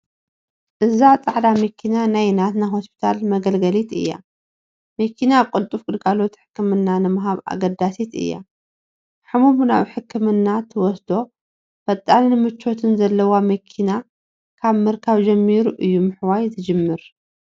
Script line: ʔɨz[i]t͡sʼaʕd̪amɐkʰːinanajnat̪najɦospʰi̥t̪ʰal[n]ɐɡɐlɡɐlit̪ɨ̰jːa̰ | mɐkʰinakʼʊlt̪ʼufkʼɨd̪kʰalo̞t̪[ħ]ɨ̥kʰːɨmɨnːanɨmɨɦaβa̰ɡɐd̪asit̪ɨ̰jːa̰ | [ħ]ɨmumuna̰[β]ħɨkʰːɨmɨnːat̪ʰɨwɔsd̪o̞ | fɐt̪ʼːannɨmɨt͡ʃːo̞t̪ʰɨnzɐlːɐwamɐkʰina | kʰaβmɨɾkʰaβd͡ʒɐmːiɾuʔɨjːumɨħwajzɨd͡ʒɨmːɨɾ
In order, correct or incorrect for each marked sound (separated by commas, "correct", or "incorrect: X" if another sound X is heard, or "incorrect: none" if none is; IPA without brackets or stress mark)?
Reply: incorrect: a, incorrect: m, correct, correct, correct